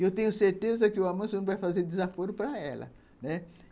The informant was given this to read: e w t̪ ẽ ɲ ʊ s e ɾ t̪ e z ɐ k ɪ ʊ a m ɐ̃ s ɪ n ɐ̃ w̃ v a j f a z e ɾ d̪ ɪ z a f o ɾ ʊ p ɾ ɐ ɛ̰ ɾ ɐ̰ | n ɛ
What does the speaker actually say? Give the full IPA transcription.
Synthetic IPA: e w t̪ ẽ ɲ ʊ s e ɾ t̪ e z ɐ k ɪ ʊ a m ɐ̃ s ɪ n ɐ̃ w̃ v a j f a z e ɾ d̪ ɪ z a f o ɾ ʊ p ɾ ɐ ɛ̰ l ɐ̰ | n ɛ